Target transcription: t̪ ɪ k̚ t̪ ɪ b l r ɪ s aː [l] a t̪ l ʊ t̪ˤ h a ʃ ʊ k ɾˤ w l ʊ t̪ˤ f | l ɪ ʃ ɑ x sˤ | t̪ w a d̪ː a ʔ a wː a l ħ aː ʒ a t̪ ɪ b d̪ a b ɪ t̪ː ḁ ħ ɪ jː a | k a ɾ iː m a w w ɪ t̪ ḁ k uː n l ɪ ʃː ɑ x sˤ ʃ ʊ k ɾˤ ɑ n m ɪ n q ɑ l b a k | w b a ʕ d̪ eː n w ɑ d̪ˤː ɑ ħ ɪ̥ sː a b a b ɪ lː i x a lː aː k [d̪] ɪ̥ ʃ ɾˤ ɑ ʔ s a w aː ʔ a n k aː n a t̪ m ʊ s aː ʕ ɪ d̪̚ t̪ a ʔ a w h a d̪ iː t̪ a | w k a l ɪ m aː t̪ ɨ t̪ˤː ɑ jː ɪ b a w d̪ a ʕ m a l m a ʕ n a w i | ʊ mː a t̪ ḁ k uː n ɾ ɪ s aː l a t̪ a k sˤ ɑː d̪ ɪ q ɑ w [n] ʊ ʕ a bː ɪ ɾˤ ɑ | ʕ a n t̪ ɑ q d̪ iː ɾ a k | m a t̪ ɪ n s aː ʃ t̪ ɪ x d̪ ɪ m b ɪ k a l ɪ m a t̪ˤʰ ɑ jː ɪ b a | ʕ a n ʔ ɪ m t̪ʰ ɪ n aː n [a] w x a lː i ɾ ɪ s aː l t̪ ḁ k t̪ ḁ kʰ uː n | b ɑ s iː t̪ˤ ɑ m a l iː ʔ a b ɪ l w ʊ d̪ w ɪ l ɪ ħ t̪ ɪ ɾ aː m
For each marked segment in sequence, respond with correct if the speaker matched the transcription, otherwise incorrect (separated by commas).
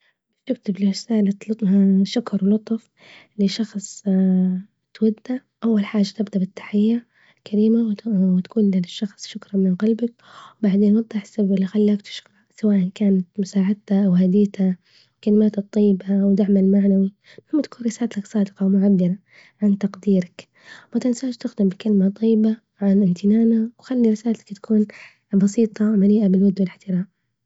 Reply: correct, incorrect, incorrect, correct